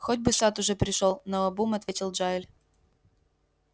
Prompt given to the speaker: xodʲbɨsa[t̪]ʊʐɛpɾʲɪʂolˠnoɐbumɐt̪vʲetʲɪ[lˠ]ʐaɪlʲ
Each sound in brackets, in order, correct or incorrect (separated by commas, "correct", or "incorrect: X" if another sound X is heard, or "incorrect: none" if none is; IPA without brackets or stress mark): correct, correct